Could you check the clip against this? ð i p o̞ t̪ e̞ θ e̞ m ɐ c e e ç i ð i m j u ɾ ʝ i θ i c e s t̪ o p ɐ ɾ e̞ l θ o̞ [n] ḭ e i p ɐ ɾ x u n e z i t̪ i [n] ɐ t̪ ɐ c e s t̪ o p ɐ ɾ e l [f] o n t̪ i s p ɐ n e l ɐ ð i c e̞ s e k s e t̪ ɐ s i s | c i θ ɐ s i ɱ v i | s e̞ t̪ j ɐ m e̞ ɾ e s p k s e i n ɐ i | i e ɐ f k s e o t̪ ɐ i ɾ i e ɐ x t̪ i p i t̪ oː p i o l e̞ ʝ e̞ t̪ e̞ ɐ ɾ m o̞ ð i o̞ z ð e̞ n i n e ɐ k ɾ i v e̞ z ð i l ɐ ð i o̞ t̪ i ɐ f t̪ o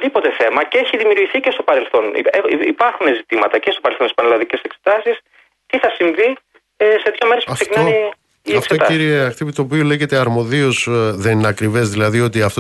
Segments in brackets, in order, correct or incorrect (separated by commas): correct, incorrect, incorrect